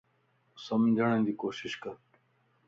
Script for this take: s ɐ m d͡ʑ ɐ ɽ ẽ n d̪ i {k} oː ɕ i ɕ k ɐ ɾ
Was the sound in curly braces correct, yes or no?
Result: yes